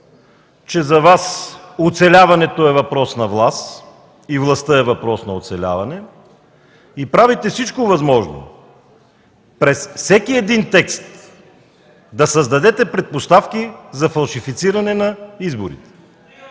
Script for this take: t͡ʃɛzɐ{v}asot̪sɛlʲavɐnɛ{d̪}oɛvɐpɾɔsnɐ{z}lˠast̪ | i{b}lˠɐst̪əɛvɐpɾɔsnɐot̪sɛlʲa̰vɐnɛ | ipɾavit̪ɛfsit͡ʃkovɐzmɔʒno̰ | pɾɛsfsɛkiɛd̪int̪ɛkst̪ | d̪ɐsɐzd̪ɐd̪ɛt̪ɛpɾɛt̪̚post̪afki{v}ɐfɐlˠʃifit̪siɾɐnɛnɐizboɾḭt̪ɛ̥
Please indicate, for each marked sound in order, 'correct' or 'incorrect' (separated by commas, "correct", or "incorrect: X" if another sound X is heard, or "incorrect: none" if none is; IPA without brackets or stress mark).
correct, incorrect: t̪, incorrect: v, incorrect: v, incorrect: z